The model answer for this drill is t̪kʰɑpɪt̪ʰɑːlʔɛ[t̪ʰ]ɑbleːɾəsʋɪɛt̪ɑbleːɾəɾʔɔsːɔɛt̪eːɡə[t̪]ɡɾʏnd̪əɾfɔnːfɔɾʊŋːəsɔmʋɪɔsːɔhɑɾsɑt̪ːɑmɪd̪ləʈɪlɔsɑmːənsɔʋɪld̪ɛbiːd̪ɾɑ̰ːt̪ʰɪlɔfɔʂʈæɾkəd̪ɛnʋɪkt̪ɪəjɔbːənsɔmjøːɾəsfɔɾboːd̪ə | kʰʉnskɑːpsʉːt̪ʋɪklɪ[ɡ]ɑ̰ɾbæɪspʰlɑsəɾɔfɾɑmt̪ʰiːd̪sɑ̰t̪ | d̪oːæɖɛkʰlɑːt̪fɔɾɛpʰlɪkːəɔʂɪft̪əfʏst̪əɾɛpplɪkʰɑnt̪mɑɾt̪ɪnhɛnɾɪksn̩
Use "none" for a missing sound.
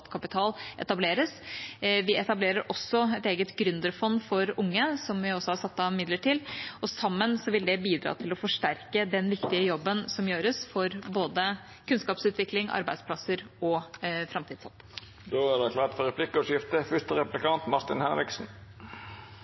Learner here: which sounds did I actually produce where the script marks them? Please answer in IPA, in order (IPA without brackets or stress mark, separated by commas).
t̪, t̪, ŋ